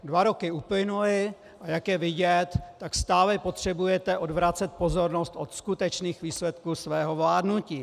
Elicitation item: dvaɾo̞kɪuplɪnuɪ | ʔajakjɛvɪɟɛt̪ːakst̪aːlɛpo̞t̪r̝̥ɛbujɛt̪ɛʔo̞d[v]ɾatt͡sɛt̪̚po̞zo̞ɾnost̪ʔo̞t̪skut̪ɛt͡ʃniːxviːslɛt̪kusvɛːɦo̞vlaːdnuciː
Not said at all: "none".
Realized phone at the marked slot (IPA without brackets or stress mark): v